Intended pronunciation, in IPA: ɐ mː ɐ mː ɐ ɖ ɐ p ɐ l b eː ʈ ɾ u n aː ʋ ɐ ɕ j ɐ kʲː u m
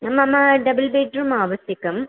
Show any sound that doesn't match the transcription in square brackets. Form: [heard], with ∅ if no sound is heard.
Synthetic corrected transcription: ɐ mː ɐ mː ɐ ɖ ɐ [b] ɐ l b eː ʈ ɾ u [m] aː ʋ ɐ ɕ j ɐ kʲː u m